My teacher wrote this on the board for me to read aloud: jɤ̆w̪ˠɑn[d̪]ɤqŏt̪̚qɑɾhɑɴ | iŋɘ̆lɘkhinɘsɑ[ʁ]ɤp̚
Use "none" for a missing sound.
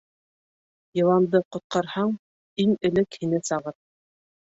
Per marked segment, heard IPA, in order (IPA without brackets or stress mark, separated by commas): d̪, ʁ